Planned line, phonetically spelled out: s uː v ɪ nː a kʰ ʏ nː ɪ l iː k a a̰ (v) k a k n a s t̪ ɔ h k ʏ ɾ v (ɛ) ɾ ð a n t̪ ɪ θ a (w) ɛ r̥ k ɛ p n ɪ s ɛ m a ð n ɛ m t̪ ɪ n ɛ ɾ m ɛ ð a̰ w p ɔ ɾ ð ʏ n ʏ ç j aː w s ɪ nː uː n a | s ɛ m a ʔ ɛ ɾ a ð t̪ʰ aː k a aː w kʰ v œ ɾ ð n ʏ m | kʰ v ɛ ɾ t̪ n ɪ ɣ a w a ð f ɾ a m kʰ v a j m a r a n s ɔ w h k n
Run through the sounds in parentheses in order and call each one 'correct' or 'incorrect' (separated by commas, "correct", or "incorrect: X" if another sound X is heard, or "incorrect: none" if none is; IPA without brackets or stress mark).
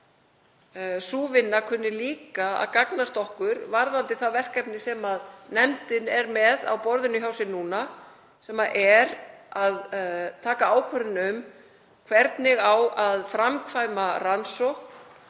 incorrect: ð, incorrect: a, incorrect: v